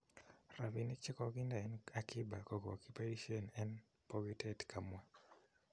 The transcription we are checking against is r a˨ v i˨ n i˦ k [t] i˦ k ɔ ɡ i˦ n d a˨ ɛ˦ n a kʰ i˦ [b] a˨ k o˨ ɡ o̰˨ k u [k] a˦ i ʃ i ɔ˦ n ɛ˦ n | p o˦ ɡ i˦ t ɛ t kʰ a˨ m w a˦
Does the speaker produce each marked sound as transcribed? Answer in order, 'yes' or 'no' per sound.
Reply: no, yes, no

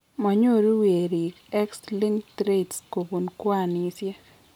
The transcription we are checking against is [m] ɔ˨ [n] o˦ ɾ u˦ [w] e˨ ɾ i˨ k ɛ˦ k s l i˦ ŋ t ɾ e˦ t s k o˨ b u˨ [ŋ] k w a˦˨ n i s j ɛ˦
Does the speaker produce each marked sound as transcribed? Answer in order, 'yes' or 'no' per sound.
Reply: yes, no, yes, no

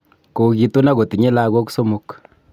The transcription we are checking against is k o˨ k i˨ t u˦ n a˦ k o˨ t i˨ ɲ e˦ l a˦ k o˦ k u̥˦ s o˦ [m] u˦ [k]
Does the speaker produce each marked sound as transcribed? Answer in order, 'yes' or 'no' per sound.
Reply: yes, yes

